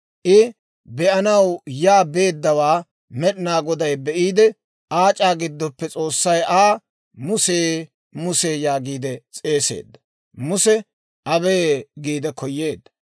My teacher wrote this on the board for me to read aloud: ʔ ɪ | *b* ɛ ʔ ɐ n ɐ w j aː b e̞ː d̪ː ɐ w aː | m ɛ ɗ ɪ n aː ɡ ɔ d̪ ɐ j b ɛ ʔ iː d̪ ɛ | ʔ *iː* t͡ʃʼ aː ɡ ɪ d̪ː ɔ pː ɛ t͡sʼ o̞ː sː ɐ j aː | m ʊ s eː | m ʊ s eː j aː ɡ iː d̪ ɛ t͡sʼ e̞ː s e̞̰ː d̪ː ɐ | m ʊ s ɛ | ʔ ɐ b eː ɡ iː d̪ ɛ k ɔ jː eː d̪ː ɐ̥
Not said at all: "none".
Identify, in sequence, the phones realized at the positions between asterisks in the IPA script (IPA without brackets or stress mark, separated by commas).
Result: b, aː